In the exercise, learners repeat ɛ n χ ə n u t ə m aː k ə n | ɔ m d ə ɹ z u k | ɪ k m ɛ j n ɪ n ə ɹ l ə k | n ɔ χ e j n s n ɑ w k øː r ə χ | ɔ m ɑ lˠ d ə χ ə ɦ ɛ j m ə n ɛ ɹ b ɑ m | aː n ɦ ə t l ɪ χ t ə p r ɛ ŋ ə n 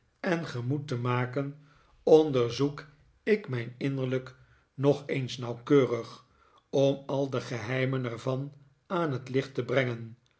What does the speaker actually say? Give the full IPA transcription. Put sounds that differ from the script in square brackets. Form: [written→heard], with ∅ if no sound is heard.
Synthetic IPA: ɛ n χ ə [n→m] u t ə m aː k ə n | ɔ [m→n] d ə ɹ z u k | ɪ k m ɛ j n ɪ n ə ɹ l ə k | n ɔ χ e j n s n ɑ w k øː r ə χ | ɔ m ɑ lˠ d ə χ ə ɦ ɛ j m ə n ɛ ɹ [b→v] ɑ [m→n] | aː n ɦ ə t l ɪ χ t ə [p→b] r ɛ ŋ ə n

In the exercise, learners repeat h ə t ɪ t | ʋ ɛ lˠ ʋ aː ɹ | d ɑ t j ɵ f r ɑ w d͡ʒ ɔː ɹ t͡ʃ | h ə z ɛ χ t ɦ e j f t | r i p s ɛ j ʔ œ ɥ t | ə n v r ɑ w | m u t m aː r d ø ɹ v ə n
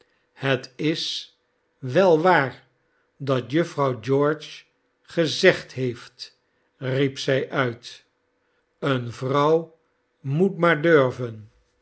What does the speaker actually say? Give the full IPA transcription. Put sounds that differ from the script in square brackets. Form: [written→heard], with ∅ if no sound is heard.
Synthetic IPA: h ə t ɪ [t→s] | ʋ ɛ lˠ ʋ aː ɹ | d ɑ t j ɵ f r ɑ w d͡ʒ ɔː ɹ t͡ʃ | [h→χ] ə z ɛ χ t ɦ e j f t | r i p s ɛ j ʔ œ ɥ t | ə n v r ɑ w | m u t m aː [r→ɹ] d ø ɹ v ə n

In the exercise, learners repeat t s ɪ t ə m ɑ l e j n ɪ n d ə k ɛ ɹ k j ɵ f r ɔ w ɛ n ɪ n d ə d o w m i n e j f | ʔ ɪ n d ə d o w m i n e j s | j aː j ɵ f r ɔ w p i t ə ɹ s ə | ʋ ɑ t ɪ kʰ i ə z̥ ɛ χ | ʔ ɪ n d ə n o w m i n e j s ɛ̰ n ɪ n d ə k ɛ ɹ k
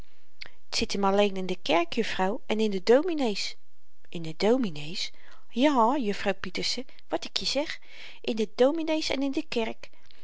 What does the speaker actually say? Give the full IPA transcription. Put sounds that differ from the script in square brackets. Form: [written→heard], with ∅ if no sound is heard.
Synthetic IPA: t s ɪ t ə m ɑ l e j n ɪ n d ə k ɛ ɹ k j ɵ f r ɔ w ɛ n ɪ n d ə d o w m i n e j [f→s] | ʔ ɪ n d ə d o w m i n e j s | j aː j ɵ f r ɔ w p i t ə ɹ s ə | ʋ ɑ t ɪ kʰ [i→j] ə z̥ ɛ χ | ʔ ɪ n d ə [n→d] o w m i n e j s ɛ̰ n ɪ n d ə k ɛ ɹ k

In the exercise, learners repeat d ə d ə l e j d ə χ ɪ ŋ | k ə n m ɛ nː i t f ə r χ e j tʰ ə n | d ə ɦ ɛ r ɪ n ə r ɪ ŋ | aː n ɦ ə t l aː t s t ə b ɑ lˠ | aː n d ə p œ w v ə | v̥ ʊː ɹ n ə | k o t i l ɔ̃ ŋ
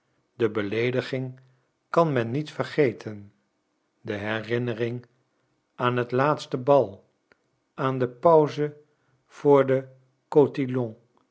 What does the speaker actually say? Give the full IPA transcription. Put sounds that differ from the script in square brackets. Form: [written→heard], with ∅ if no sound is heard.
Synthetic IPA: d ə [d→b] ə l e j d ə χ ɪ ŋ | k [ə→ɑ] n m ɛ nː i t f ə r χ e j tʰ ə n | d ə ɦ ɛ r ɪ n ə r ɪ ŋ | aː n ɦ ə t l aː t s t ə b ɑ lˠ | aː n d ə p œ w [v→z] ə | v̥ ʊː ɹ [n→d] ə | k o t i l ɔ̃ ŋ

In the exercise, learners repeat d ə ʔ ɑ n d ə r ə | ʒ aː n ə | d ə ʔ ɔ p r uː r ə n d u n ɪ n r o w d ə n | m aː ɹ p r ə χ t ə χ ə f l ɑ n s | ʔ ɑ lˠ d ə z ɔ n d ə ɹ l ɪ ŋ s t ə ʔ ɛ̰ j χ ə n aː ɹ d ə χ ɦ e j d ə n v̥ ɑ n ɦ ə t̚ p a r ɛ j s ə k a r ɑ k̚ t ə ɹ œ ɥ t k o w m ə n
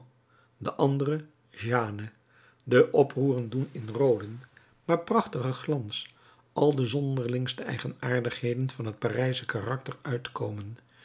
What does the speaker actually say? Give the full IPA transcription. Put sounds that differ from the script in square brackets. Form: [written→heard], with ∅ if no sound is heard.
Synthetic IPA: d ə ʔ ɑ n d ə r ə | ʒ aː n ə | d ə ʔ ɔ p r uː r ə n d u n ɪ n r o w d ə n | m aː ɹ p r [ə→ɑ] χ t ə χ ə [f→χ] l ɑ n s | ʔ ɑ lˠ d ə z ɔ n d ə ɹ l ɪ ŋ s t ə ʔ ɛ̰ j χ ə n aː ɹ d ə χ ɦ e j d ə n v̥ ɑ n ɦ ə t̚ p a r ɛ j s ə k a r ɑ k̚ t ə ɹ œ ɥ t k o w m ə n

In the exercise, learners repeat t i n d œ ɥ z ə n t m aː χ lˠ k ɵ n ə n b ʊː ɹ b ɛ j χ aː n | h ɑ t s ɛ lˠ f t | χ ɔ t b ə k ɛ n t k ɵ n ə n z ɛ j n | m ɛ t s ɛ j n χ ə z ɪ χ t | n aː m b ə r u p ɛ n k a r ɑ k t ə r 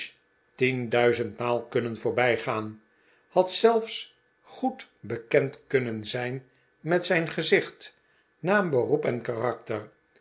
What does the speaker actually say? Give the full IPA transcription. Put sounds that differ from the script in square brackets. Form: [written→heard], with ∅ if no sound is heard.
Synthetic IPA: t i n d œ ɥ z ə n t m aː [χ→∅] lˠ k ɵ n ə n [b→v] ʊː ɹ b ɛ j χ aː n | h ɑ t s ɛ lˠ f [t→s] | χ [ɔ→u] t b ə k ɛ n t k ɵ n ə n z ɛ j n | m ɛ t s ɛ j n χ ə z ɪ χ t | n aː m b ə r u p ɛ n k a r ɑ k t ə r

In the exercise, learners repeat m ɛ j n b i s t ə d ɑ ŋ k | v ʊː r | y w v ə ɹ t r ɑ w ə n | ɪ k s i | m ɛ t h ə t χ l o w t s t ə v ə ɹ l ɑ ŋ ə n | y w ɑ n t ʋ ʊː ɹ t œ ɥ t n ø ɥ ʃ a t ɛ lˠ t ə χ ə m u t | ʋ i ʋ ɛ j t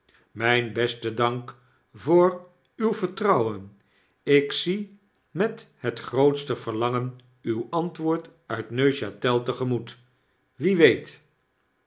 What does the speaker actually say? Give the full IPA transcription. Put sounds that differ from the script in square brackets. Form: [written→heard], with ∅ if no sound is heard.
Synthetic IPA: m ɛ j n b [i→ɛ] s t ə d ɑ ŋ k | v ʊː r | y w v ə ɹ t r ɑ w ə n | ɪ k s i | m ɛ t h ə t χ [l→r] o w t s t ə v ə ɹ l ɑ ŋ ə n | y w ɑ n t ʋ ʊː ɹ t œ ɥ t n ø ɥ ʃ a t ɛ lˠ t ə χ ə m u t | ʋ i ʋ [ɛ→e] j t

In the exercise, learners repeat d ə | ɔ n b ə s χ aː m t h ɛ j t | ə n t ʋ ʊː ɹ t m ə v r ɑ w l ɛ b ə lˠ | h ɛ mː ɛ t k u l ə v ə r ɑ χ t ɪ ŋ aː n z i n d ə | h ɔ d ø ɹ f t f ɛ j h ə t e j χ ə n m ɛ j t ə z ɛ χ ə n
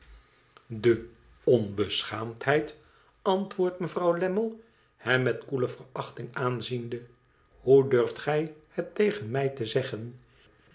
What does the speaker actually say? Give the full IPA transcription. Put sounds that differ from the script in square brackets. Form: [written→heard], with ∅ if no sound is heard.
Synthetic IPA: d ə | ɔ n b ə s χ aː m t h ɛ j t | [ə→ɑ] n t ʋ ʊː ɹ t m ə v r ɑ w l ɛ [b→m] ə lˠ | h ɛ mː ɛ t k u l ə v ə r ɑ χ t ɪ ŋ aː n z i n d ə | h [ɔ→u] d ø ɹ f t [f→χ] ɛ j h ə t e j χ ə n m ɛ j t ə z ɛ χ ə n

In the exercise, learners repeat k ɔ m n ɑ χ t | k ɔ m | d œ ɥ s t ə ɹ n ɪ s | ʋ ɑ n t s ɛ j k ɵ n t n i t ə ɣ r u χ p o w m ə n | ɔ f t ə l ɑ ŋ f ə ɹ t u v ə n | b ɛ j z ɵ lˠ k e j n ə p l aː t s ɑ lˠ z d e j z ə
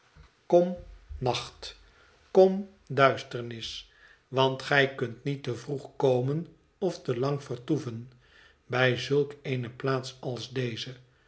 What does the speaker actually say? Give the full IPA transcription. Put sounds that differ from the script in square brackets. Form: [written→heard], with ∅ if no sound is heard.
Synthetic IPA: k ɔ m n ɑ χ t | k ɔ m | d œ ɥ s t ə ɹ n ɪ s | ʋ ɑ n t [s→χ] ɛ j k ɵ n t n i t ə [ɣ→v] r u χ [p→k] o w m ə n | ɔ f t ə l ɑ ŋ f ə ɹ t u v ə n | b ɛ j z ɵ lˠ k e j n ə p l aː t s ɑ lˠ z d e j z ə

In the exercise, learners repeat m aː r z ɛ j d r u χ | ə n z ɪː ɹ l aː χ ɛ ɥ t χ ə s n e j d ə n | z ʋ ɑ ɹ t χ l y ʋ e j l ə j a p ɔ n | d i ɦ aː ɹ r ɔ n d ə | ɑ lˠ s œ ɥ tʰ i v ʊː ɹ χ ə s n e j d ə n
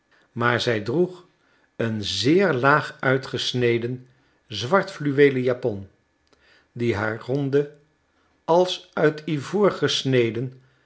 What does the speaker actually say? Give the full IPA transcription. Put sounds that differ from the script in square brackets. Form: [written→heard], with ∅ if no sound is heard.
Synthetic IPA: m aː [r→ɹ] z ɛ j d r u χ | ə n z ɪː ɹ l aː χ [ɛ→œ] ɥ t χ ə s n e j d ə n | z ʋ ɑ ɹ t [χ→f] l y ʋ e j l ə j a p ɔ n | d i ɦ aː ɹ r ɔ n d ə | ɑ lˠ s œ ɥ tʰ i v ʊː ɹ χ ə s n e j d ə n

